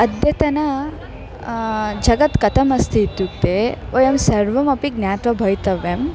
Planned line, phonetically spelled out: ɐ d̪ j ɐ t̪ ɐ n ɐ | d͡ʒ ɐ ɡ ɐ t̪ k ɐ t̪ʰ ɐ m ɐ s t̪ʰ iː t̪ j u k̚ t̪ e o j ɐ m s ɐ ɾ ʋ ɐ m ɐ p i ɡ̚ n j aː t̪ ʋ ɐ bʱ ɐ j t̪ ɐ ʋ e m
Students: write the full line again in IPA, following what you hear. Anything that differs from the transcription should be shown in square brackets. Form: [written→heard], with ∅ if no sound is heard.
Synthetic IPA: ɐ d̪ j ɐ t̪ ɐ n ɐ | d͡ʒ ɐ ɡ ɐ t̪ k ɐ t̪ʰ ɐ m ɐ s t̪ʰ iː t̪ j u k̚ t̪ e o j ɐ m s ɐ ɾ ʋ ɐ m ɐ p i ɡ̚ n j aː t̪ ʋ ɐ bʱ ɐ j t̪ ɐ ʋ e m